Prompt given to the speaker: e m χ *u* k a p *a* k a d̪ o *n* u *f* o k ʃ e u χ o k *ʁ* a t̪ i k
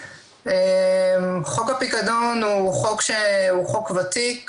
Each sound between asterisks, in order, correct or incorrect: incorrect: o, incorrect: i, correct, incorrect: χ, incorrect: v

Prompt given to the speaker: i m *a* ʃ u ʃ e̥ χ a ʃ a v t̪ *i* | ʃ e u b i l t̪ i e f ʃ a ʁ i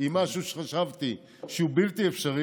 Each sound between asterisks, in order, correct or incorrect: correct, correct

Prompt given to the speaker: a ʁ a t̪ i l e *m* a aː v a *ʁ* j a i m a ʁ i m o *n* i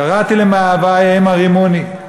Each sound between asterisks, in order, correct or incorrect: correct, incorrect: none, correct

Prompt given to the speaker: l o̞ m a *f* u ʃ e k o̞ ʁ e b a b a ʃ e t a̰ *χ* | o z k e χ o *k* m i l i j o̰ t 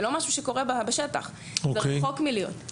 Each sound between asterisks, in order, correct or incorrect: incorrect: ʃ, correct, correct

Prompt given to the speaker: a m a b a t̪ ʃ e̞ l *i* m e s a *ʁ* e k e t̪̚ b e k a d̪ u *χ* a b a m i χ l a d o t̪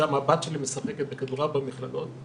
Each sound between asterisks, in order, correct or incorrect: correct, incorrect: χ, incorrect: ʁ

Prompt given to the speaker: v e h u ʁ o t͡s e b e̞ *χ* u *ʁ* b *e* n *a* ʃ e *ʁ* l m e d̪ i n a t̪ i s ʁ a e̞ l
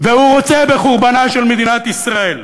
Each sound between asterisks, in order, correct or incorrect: correct, correct, incorrect: a, correct, incorrect: none

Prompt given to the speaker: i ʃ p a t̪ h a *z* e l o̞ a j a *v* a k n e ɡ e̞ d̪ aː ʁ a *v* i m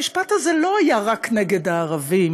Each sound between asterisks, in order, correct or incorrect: correct, incorrect: ʁ, correct

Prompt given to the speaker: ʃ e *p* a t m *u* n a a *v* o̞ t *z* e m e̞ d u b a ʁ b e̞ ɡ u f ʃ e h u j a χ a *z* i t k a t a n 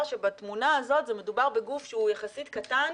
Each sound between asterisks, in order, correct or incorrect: incorrect: b, correct, incorrect: z, correct, incorrect: s

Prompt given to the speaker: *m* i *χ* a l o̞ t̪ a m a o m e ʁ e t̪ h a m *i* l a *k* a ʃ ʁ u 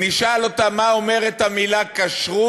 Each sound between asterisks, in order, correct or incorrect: incorrect: n, incorrect: ʃ, correct, correct

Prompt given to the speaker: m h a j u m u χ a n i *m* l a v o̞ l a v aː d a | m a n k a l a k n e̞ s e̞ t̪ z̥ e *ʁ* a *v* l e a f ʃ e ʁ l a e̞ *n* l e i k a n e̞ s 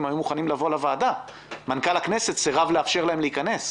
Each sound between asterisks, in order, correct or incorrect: correct, correct, correct, incorrect: m

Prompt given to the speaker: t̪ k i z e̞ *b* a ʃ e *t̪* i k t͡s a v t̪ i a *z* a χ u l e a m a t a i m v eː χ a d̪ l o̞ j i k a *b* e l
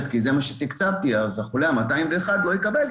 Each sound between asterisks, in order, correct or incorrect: incorrect: m, correct, correct, correct

